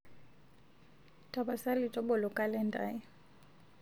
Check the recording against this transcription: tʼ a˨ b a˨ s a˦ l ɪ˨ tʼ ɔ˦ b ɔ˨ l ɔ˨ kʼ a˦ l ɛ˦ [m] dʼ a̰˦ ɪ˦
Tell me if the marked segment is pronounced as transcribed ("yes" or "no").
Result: no